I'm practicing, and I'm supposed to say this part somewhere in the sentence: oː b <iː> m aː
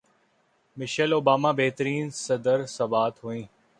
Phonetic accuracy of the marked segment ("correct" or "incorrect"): incorrect